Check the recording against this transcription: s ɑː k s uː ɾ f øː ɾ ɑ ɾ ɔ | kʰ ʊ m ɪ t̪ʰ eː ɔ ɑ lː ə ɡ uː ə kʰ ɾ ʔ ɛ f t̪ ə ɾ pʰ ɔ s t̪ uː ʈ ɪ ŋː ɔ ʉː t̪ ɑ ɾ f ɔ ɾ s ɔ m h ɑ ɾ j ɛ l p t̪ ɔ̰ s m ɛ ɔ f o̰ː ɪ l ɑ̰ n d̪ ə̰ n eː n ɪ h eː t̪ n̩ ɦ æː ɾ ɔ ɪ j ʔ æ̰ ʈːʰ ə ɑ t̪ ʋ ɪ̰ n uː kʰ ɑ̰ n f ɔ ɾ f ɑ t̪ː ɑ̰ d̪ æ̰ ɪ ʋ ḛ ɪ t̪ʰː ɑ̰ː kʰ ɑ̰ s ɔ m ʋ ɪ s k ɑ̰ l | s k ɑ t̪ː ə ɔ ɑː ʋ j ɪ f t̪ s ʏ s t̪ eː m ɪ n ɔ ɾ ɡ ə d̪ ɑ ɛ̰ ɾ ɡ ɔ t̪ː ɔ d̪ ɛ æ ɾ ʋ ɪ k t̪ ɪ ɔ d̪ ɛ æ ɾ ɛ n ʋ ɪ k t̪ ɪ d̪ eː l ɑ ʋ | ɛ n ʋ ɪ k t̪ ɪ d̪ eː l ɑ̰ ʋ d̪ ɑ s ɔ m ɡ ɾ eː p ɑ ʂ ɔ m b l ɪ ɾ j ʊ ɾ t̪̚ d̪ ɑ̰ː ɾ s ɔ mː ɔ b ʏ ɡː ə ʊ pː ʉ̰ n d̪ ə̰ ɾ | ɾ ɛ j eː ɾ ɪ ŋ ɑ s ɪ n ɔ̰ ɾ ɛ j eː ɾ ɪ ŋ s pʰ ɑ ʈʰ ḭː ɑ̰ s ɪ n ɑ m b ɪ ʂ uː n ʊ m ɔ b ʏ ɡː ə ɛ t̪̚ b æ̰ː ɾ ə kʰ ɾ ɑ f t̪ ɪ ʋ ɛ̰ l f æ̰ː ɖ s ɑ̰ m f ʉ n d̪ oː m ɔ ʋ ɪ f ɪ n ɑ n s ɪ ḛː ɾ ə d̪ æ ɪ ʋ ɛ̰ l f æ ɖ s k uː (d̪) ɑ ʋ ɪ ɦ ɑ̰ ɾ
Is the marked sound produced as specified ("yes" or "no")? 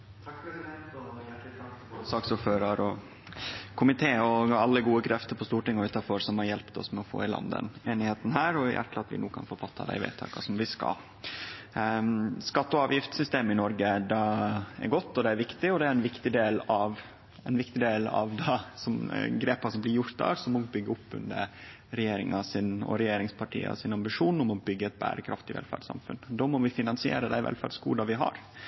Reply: yes